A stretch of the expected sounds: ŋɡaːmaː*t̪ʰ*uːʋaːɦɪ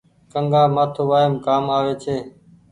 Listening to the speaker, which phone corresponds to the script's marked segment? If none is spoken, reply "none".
t̪ʰ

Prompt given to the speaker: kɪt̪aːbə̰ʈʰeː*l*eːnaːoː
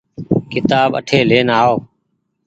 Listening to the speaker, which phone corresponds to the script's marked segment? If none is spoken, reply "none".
l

